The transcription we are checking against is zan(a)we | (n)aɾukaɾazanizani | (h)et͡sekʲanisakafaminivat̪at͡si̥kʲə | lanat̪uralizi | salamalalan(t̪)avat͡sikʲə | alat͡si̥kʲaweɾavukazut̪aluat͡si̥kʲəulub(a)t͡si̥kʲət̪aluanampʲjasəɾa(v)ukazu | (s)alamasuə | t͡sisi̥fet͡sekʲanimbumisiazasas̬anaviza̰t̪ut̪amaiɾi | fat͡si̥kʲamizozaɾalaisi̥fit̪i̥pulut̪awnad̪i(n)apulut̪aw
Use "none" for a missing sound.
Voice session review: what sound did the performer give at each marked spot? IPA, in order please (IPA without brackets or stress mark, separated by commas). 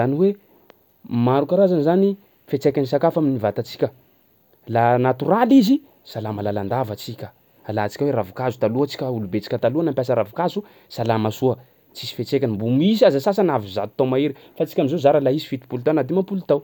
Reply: i, m, f, d̪, e, v, s, m